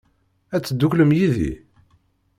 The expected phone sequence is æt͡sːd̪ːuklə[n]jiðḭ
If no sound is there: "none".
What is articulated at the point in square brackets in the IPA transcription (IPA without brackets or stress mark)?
m